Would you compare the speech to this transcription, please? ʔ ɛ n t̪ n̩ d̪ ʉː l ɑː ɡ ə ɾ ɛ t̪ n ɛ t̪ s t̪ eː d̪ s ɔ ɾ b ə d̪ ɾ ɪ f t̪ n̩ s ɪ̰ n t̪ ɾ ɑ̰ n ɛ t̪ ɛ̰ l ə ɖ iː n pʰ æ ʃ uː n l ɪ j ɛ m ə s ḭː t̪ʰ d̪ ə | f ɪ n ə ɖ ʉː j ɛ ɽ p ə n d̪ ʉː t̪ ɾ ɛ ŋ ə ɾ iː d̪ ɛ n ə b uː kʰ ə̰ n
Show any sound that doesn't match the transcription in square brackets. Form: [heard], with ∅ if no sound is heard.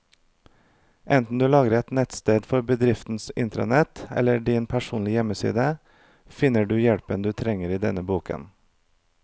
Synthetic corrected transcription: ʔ ɛ n t̪ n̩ d̪ ʉː l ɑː ɡ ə ɾ ɛ t̪ n ɛ t̪ s t̪ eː d̪ [f] ɔ ɾ b ə d̪ ɾ ɪ f t̪ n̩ s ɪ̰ n t̪ ɾ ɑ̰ n ɛ t̪ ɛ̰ l ə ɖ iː n pʰ æ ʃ uː n l ɪ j ɛ m ə s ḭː [∅] d̪ ə | f ɪ n ə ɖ ʉː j ɛ ɽ p ə n d̪ ʉː [t̪ʰ] ɾ ɛ ŋ ə ɾ iː d̪ ɛ n ə b uː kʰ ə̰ n